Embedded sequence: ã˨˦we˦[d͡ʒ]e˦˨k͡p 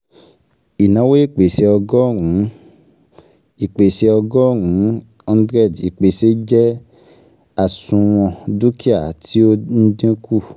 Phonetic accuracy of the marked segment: incorrect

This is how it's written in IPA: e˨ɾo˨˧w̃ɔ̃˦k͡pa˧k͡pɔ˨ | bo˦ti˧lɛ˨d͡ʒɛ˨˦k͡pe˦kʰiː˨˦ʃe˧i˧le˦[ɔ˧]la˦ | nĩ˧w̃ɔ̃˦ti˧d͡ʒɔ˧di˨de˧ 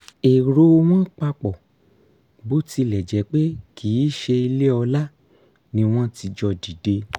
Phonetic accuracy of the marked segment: correct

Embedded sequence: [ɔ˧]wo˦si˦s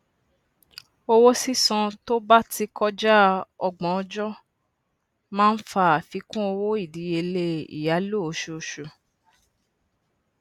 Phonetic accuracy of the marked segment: incorrect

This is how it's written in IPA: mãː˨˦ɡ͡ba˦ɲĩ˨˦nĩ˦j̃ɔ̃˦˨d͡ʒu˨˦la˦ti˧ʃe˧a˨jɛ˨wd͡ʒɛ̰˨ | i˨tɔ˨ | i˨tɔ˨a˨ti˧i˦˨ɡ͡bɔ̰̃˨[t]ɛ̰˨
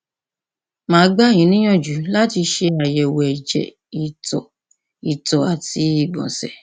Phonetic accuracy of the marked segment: incorrect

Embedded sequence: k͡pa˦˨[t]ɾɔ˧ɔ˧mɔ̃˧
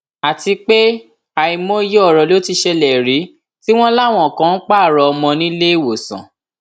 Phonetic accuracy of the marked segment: incorrect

